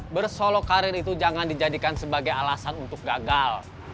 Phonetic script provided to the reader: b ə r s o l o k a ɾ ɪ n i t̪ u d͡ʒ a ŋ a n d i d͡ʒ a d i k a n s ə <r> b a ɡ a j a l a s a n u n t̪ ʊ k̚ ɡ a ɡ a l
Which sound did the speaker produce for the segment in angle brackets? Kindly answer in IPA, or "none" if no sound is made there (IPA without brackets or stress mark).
none